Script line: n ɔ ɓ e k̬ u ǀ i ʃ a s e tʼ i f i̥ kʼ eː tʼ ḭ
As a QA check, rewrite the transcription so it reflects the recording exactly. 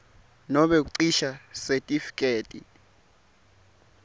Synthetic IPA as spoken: n ɔ ɓ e k̬ u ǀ i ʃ a s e tʼ i f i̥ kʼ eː tʼ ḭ